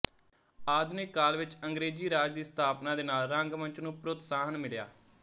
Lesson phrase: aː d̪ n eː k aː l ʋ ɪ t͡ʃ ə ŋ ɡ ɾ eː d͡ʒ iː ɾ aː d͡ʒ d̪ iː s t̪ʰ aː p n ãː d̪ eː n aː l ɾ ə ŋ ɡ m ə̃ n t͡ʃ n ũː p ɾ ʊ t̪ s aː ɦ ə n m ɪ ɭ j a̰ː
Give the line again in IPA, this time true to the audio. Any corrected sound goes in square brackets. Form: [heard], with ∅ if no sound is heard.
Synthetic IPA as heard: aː d̪ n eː k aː l ʋ ɪ t͡ʃ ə ŋ ɡ ɾ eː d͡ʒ iː ɾ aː d͡ʒ d̪ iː s t̪ʰ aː p n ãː d̪ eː n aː l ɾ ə ŋ ɡ m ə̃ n t͡ʃ n ũː p ɾ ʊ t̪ s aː ɦ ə n m ɪ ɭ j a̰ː